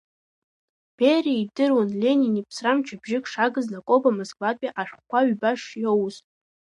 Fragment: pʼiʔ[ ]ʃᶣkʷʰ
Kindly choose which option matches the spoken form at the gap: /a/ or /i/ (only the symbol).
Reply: a